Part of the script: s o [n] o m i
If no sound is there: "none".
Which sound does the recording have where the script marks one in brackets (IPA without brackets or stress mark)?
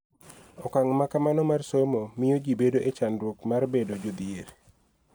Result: m